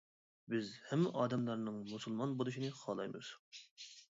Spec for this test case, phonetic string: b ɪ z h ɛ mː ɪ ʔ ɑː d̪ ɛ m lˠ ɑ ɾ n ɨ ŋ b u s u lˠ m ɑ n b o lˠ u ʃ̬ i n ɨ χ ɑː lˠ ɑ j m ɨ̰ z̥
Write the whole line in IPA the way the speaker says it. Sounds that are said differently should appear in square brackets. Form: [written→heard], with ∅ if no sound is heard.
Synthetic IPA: b ɪ z h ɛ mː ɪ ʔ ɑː d̪ ɛ m lˠ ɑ ɾ n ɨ ŋ [b→m] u s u lˠ m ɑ n b o lˠ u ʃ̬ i n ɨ χ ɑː lˠ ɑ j m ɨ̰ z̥